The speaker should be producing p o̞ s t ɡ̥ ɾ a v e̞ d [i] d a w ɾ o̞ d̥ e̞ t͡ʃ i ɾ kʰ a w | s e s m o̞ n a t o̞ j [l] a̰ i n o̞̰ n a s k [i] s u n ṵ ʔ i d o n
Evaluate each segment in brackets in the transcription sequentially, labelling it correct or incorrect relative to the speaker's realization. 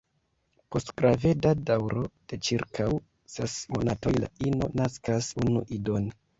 incorrect: a, correct, incorrect: a

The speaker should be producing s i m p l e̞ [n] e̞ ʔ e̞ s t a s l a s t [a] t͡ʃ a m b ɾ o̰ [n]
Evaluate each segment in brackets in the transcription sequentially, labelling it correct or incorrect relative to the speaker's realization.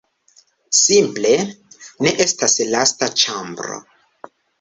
correct, correct, incorrect: none

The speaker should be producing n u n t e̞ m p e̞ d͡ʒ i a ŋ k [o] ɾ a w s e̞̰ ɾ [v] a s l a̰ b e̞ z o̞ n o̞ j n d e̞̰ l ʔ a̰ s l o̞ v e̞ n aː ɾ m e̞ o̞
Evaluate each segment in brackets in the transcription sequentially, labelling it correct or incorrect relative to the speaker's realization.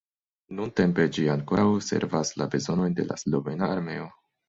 correct, correct

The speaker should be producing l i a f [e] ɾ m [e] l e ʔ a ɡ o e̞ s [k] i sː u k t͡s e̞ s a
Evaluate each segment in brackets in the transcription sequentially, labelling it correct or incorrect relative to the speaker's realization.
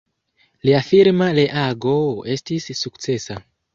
incorrect: i, incorrect: a, incorrect: t

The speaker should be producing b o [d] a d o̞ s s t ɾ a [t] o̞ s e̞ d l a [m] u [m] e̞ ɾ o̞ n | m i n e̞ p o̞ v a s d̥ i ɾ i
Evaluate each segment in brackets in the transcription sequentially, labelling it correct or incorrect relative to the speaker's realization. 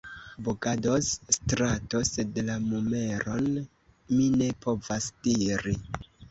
incorrect: ɡ, correct, correct, correct

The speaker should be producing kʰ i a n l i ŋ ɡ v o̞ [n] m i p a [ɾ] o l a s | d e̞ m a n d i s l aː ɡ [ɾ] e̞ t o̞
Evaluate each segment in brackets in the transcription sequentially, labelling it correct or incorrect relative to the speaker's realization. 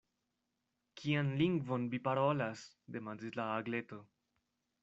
correct, correct, incorrect: l

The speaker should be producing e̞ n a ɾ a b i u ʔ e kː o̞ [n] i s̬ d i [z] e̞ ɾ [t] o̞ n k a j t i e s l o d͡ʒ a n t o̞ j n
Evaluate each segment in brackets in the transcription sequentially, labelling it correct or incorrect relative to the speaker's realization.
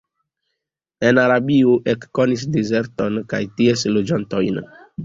correct, correct, correct

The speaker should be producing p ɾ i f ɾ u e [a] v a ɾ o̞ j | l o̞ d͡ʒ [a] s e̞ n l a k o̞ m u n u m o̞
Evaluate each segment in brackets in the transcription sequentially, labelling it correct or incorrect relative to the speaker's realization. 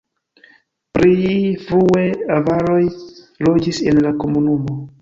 correct, incorrect: i

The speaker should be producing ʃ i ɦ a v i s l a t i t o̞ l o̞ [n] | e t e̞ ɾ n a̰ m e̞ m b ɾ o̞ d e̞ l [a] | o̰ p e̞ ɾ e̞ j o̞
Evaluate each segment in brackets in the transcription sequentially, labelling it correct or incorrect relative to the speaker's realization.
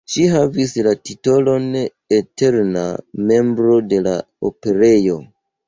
correct, correct

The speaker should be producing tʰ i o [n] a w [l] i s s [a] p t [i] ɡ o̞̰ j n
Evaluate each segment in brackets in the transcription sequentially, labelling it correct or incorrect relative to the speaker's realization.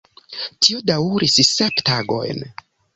incorrect: d, incorrect: ɾ, incorrect: e, incorrect: a

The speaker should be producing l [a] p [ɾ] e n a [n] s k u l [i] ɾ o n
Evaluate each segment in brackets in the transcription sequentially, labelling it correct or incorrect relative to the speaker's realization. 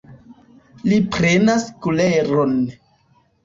incorrect: i, correct, incorrect: none, incorrect: e

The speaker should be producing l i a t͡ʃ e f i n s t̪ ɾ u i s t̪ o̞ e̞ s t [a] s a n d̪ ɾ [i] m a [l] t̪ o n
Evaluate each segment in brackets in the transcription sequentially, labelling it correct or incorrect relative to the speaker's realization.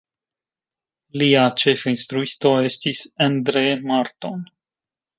incorrect: i, incorrect: e, incorrect: ɾ

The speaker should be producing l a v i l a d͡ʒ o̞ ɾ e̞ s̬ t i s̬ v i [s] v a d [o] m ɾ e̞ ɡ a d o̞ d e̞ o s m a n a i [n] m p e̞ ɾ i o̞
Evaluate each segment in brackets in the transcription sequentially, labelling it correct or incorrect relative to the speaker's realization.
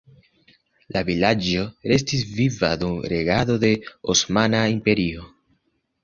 incorrect: none, incorrect: u, incorrect: none

